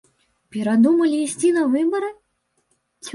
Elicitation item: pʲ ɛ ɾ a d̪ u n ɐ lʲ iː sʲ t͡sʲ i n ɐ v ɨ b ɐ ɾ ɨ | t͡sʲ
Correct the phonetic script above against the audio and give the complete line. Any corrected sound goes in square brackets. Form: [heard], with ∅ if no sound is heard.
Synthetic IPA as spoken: pʲ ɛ ɾ a d̪ u [m] ɐ lʲ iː sʲ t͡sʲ i n ɐ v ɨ b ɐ ɾ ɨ | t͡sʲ